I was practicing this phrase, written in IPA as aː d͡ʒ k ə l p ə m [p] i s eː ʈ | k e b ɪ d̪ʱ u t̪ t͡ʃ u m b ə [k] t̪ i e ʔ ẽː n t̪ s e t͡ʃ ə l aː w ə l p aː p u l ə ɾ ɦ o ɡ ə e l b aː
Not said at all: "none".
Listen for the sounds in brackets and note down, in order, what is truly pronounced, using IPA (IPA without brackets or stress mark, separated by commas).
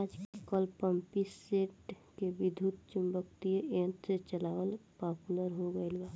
p, k